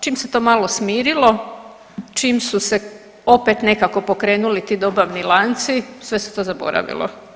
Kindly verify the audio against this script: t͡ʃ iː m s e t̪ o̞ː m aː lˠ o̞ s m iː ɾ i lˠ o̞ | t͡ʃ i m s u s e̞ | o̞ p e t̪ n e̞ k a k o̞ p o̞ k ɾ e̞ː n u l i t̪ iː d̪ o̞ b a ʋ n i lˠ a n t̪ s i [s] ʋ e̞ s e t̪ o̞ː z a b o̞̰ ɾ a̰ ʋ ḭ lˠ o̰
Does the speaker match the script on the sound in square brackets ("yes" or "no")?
yes